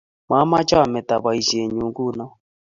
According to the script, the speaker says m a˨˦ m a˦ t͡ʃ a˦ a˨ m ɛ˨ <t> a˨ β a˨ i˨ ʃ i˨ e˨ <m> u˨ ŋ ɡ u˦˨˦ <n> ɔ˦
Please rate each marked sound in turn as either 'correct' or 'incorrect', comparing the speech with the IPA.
correct, incorrect: ɲ, correct

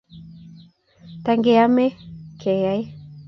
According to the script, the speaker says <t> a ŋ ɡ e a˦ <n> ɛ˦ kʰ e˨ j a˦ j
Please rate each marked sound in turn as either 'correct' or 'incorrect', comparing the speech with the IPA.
correct, incorrect: m

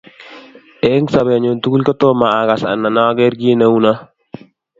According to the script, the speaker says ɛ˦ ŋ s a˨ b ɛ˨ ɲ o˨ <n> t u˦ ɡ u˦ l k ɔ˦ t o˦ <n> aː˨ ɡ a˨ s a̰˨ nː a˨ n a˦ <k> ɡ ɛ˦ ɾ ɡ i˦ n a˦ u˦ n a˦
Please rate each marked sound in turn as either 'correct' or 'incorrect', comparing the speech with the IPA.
correct, incorrect: m, incorrect: none

